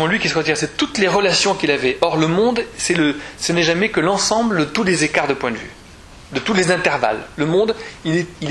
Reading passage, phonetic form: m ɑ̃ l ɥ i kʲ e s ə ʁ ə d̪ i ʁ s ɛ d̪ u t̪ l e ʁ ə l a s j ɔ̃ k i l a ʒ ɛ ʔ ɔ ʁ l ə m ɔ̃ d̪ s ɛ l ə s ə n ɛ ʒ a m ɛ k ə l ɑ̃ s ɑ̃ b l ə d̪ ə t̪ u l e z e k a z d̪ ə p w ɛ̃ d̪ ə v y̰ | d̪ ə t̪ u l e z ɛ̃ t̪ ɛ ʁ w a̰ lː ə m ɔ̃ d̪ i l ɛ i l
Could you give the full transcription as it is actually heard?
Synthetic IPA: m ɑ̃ l ɥ i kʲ i s ə ʁ ə t̪ i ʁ s ɛ t̪ u t̪ l e ʁ ə l a s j ɔ̃ k i l a v ɛ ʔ ɔ ʁ l ə m ɔ̃ d̪ s ɛ l ə s ə n ɛ ʒ a m ɛ k ə l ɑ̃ s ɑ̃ b l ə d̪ ə t̪ u l e z e k a ʁ d̪ ə p w ɛ̃ d̪ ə v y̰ | d̪ ə t̪ u l e z ɛ̃ t̪ ɛ ʁ v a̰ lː ə m ɔ̃ d̪ i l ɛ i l